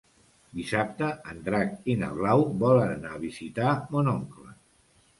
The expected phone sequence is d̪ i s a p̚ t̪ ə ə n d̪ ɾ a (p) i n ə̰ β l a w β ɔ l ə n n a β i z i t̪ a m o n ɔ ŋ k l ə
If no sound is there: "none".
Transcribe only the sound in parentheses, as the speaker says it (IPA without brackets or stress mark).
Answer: k